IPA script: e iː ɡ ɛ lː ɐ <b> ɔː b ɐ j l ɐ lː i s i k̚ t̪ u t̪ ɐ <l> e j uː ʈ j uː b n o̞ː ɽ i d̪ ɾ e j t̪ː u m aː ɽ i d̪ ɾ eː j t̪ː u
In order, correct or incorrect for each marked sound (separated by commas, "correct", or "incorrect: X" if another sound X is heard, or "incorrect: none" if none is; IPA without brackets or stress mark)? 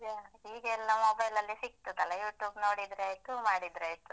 incorrect: m, correct